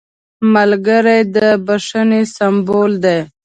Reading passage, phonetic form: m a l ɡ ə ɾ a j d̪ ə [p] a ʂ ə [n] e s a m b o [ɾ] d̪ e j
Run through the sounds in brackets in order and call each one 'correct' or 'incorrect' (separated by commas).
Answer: incorrect, correct, incorrect